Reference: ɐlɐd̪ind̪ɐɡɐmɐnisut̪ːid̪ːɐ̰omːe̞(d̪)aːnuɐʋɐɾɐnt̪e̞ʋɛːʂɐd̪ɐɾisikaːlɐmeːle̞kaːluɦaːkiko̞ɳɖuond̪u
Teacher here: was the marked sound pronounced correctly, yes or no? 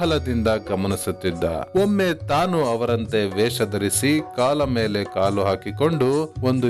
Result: no